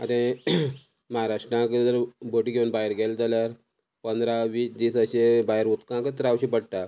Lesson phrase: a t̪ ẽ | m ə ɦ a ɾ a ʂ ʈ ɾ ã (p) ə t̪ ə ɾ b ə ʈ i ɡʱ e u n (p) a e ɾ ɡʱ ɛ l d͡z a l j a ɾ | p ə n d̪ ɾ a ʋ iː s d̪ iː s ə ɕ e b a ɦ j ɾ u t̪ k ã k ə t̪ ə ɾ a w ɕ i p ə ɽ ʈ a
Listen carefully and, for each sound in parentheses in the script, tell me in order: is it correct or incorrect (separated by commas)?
incorrect, incorrect